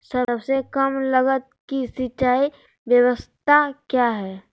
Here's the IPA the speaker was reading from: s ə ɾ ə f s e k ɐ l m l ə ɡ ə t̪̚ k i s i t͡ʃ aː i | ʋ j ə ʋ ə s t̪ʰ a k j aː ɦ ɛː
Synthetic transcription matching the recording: s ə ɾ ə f s e k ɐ m l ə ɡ ə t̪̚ k i s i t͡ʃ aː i | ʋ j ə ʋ ə s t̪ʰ a k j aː ɦ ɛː